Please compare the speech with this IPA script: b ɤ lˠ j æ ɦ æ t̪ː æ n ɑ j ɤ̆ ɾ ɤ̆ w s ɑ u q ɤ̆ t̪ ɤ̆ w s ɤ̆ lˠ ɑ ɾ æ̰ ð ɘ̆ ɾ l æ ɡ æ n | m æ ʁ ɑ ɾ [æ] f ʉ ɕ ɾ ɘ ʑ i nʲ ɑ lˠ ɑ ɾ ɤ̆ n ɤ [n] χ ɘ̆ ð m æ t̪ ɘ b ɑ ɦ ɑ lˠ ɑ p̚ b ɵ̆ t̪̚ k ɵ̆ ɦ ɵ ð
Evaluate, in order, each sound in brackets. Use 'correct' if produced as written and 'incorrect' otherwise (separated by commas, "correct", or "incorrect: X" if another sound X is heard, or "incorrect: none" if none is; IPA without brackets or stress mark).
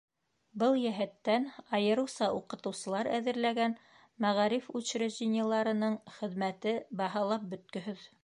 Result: incorrect: i, incorrect: ɴ